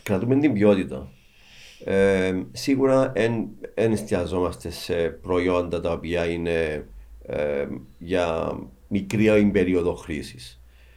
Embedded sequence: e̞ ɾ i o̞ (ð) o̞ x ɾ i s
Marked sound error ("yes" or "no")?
no